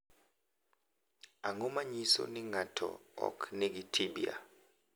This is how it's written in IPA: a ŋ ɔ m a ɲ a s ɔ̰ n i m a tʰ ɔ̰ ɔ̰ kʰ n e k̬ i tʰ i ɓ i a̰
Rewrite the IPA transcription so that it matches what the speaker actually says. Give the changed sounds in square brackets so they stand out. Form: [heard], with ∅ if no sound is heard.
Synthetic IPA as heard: a ŋ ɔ m a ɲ [i] s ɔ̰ n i [ŋ] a tʰ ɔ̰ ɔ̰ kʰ n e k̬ i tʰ i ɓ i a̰